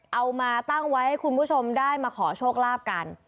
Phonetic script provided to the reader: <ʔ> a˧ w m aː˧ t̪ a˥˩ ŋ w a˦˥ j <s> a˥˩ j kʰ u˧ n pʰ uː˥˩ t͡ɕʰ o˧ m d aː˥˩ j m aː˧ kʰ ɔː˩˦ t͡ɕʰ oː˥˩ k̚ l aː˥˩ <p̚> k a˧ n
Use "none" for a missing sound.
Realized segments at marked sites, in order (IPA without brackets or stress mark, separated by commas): ʔ, h, p̚